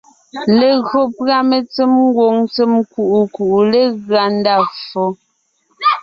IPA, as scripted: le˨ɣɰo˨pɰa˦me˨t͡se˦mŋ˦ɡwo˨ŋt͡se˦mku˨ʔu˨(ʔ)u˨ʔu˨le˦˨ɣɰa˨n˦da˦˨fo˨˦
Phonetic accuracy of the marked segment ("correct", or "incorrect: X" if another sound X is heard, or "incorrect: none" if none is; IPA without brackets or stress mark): incorrect: k